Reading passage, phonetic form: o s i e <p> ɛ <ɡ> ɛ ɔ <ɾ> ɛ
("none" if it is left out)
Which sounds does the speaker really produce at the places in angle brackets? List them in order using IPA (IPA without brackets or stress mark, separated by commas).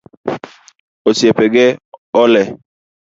p, ɡ, l